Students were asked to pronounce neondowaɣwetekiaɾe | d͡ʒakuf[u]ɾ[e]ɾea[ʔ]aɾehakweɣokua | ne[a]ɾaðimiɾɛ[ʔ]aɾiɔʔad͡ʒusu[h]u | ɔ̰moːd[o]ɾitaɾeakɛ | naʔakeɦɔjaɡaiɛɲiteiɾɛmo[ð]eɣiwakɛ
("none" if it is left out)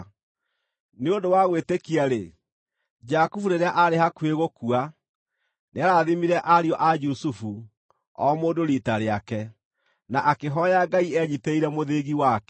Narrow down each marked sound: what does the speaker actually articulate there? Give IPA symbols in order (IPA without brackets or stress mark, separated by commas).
u, e, ʔ, a, ʔ, f, o, ð